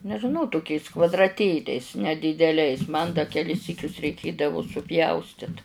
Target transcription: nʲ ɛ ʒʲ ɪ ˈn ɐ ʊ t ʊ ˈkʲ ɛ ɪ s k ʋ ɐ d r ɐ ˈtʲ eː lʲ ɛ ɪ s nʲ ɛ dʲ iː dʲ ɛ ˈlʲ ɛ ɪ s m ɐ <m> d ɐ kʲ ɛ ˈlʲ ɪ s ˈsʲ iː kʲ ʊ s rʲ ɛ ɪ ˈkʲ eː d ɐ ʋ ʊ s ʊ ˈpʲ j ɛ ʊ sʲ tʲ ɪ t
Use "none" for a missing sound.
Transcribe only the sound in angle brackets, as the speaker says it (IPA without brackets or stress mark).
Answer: n